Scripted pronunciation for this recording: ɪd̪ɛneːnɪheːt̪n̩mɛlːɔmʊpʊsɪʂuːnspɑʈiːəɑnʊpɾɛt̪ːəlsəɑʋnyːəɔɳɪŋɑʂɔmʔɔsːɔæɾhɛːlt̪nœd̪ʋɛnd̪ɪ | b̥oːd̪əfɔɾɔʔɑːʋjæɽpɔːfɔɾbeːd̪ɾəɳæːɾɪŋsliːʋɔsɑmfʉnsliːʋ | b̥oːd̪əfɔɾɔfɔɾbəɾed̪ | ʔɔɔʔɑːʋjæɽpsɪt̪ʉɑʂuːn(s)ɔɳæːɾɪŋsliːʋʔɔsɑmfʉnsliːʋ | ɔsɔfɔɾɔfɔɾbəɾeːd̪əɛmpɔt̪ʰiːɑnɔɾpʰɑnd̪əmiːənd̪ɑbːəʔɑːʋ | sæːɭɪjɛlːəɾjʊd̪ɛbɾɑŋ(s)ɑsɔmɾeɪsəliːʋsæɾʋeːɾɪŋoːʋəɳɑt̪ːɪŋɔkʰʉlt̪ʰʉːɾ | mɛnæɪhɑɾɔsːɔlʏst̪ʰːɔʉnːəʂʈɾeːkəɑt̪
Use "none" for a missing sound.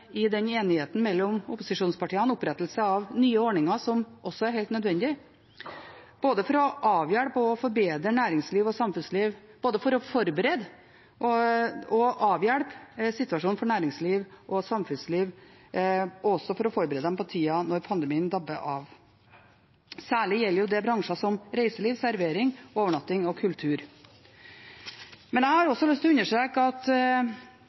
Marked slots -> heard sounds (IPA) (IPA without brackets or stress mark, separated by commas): f, ʂ